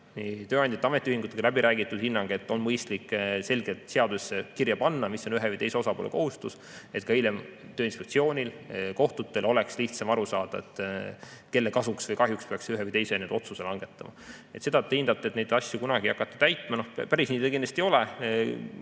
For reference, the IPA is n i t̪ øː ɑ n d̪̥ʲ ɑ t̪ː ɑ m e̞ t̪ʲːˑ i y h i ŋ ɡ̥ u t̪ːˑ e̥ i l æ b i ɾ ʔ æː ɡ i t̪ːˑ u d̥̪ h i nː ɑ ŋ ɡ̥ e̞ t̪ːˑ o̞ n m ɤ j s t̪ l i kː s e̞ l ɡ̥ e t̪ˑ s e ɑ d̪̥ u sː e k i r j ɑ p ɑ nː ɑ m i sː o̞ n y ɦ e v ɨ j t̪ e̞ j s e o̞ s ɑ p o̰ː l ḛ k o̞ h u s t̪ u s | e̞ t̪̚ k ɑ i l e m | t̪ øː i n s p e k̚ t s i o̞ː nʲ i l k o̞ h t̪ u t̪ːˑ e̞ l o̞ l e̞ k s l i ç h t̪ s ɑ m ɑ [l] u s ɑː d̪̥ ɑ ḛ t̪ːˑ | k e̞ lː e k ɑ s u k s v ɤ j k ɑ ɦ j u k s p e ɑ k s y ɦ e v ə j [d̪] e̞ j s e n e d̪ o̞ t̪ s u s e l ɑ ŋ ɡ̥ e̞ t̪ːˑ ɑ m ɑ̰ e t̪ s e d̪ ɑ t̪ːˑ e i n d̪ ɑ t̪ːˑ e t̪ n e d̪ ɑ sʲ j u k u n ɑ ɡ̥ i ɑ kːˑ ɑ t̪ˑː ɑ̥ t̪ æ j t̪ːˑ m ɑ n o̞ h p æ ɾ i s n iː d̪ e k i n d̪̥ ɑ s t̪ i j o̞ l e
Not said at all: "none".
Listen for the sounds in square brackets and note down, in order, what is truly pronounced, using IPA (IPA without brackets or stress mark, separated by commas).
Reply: ɾ, t̪